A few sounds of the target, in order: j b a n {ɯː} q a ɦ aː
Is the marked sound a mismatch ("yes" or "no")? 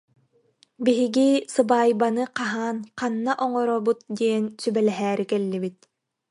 yes